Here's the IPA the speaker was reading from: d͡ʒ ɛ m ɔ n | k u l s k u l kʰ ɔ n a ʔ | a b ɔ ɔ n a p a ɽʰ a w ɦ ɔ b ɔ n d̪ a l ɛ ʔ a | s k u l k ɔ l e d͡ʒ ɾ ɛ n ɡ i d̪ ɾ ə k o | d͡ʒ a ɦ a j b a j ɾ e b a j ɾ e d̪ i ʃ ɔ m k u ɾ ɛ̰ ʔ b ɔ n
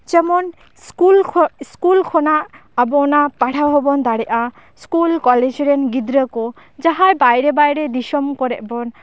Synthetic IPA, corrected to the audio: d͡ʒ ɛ m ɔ n | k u l s k u l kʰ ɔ n a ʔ | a b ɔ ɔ n a p a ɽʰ a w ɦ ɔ b ɔ n d̪ a ɽ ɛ ʔ a | s k u l k ɔ l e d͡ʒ ɾ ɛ n ɡ i d̪ ɾ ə k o | d͡ʒ a ɦ a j b a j ɾ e b a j ɾ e d̪ i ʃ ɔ m k ɔ ɾ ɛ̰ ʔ b ɔ n

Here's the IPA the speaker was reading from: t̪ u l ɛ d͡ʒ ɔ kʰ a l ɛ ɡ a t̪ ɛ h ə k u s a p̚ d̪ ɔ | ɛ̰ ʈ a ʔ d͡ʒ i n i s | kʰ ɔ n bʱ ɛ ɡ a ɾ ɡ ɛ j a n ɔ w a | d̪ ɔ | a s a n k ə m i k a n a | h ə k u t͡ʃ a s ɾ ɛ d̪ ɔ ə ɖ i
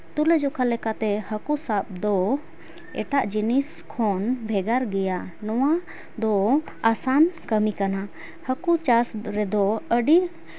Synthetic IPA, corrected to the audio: t̪ u l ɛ d͡ʒ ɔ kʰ a l ɛ k a t̪ ɛ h ə k u s a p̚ d̪ ɔ | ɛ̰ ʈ a ʔ d͡ʒ i n i s | kʰ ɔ n bʱ ɛ ɡ a ɾ ɡ ɛ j a n ɔ w a | d̪ ɔ | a s a n k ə m i k a n a | h ə k u t͡ʃ a s ɾ ɛ d̪ ɔ ə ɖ i

